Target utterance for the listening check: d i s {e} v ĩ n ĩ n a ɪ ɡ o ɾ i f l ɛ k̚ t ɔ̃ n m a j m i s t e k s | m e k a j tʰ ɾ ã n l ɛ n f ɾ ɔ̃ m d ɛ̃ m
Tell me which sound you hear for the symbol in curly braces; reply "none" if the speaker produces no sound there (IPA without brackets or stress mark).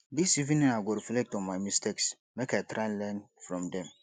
i